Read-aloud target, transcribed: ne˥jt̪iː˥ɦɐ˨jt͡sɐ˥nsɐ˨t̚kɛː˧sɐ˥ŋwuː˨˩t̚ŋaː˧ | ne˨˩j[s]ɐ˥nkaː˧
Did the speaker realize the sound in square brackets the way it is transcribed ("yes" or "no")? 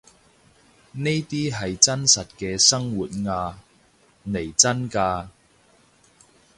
no